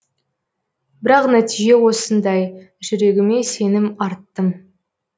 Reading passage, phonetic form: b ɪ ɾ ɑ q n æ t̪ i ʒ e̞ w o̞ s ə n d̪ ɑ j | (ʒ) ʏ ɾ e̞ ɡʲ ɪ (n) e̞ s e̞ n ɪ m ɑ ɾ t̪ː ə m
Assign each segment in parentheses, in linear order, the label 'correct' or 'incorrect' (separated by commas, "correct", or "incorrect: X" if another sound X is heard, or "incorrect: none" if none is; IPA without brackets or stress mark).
correct, incorrect: m